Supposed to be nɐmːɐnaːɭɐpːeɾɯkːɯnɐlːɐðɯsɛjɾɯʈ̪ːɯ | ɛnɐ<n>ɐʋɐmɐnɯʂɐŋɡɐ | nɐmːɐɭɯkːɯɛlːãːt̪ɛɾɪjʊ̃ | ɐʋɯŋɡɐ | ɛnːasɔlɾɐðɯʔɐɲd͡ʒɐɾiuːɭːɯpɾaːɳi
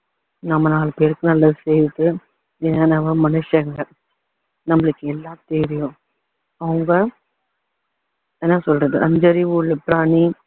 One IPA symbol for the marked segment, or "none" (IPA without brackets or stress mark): n